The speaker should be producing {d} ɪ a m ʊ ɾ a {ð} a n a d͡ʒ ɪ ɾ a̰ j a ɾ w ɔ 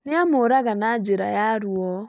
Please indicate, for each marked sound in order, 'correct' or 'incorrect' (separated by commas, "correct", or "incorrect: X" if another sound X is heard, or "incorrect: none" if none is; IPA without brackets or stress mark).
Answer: incorrect: n, incorrect: ɣ